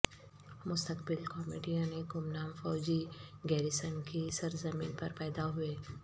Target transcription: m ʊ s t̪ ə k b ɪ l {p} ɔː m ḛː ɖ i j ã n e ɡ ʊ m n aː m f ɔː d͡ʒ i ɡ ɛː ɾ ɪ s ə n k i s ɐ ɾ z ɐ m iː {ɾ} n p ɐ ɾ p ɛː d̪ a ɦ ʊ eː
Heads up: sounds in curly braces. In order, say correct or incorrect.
incorrect, incorrect

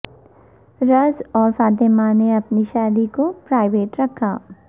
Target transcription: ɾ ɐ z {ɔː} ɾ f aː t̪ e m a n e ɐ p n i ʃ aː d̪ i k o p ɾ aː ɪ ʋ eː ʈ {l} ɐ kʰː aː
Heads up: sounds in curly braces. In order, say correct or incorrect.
correct, incorrect

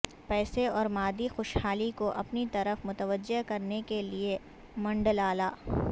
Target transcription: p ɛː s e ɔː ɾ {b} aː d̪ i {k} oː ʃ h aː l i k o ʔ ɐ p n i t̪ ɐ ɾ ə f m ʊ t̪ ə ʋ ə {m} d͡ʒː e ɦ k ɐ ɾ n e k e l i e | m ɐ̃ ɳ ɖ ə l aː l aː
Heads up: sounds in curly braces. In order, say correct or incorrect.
incorrect, incorrect, incorrect

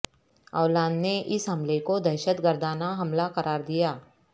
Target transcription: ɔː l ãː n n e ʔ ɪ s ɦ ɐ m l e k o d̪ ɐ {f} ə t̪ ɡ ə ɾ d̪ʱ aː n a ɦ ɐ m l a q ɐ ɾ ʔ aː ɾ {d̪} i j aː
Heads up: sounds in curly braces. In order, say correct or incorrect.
incorrect, correct

